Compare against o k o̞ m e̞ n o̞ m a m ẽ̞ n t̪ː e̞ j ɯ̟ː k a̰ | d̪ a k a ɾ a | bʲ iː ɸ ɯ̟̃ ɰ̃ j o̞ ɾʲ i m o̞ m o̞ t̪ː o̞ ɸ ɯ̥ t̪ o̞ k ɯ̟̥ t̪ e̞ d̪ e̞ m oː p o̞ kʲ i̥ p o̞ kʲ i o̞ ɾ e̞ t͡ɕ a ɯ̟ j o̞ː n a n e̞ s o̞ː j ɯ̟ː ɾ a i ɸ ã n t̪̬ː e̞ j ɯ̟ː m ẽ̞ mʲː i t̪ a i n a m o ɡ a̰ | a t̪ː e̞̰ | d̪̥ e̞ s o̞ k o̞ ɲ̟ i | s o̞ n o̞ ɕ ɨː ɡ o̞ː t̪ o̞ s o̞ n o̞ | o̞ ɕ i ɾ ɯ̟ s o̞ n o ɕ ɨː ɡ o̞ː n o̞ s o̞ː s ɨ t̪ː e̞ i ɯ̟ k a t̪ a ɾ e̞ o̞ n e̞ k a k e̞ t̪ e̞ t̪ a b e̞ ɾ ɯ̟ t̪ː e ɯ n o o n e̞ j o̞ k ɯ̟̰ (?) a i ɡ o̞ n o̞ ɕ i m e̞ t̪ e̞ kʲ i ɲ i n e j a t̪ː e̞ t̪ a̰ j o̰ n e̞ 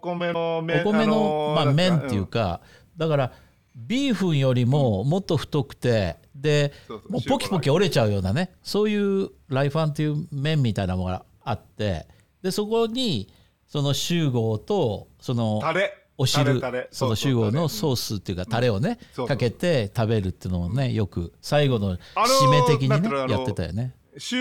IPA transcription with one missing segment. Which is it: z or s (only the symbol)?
s